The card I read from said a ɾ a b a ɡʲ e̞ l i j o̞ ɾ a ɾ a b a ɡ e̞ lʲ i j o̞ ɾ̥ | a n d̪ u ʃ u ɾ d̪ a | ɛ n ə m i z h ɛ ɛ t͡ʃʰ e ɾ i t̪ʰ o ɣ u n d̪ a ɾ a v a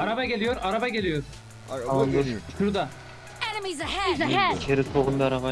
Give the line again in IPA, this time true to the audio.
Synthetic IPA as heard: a ɾ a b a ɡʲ e̞ l i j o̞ ɾ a ɾ a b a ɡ e̞ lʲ i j o̞ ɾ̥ | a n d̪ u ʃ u ɾ d̪ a | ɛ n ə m i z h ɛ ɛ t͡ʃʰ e ɾ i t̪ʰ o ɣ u n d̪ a ɾ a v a